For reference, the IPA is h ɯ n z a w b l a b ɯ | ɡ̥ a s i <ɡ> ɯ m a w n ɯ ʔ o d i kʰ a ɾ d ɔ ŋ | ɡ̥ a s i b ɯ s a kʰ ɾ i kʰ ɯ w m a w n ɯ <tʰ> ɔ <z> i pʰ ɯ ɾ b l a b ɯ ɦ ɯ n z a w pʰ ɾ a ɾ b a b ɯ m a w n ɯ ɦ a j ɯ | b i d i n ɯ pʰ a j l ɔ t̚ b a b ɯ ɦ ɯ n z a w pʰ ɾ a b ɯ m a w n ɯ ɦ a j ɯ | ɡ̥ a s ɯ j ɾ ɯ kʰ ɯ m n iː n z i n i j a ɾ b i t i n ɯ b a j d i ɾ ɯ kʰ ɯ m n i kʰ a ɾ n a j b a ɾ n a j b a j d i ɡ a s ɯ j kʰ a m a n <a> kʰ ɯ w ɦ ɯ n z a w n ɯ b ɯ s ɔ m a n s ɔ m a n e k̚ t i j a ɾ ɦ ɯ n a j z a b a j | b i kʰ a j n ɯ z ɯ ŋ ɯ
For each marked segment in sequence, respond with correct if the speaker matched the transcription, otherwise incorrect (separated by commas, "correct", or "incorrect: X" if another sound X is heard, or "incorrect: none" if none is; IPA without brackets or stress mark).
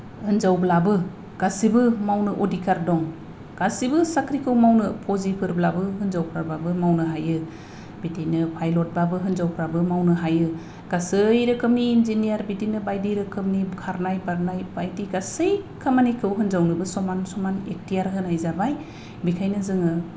incorrect: b, incorrect: pʰ, correct, incorrect: i